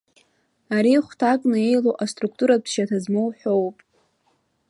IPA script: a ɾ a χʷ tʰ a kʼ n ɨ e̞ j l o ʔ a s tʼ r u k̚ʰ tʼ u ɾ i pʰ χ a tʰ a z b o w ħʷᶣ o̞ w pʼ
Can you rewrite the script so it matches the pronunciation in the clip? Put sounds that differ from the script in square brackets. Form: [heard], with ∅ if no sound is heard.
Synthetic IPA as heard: a ɾ [i] χʷ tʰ a kʼ n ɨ e̞ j l o ʔ a s tʼ r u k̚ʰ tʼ u ɾ [a] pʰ [ʃ] a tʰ a z [m] o w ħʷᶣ o̞ w pʼ